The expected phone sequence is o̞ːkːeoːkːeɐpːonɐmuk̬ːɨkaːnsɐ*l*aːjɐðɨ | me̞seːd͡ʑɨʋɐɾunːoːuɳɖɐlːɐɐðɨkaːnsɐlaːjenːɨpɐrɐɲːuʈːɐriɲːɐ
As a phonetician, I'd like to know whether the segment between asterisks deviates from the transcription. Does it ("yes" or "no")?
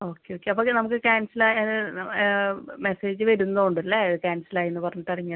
no